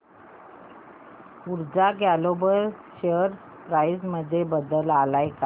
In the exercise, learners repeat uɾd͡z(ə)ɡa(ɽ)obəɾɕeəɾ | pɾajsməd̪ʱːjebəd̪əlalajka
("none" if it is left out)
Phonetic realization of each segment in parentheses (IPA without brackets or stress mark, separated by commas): a, l